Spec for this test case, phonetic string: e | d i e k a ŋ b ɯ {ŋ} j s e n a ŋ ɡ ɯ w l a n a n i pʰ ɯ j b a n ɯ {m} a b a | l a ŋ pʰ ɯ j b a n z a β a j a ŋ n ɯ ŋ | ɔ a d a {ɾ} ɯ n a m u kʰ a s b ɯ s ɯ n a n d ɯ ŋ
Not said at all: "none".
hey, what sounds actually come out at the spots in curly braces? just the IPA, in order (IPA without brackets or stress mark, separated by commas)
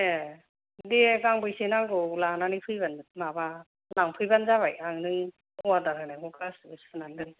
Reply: none, m, ɾ